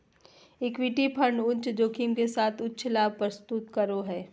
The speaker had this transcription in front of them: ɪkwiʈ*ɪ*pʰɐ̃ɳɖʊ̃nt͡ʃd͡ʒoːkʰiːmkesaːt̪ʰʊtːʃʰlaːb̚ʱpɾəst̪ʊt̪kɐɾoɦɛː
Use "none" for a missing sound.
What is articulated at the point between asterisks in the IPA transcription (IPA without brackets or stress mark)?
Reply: i